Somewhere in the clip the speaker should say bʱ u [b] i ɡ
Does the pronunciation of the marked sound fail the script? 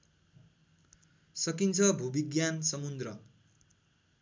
no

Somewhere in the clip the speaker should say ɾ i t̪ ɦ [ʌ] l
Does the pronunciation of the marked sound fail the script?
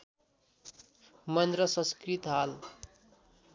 yes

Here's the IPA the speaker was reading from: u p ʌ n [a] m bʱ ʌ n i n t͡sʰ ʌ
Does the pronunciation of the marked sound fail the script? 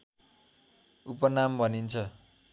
no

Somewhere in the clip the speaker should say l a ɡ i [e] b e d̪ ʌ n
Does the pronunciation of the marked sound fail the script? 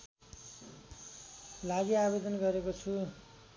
yes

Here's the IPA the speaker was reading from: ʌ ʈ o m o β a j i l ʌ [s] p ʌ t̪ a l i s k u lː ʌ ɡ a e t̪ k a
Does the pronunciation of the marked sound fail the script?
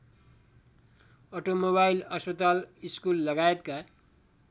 no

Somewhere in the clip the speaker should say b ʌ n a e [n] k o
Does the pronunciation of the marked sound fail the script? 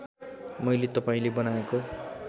yes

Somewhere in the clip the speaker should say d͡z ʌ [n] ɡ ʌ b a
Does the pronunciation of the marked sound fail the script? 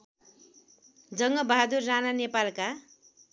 yes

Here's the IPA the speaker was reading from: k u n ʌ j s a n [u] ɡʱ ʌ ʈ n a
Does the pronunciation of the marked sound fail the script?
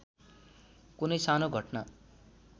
yes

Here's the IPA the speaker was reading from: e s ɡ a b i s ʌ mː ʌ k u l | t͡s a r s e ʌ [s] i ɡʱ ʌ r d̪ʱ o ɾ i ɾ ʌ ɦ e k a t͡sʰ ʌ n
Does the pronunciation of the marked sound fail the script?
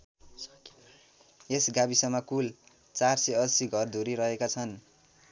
no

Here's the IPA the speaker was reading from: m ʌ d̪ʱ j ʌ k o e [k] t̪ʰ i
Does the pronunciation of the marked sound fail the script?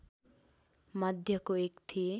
no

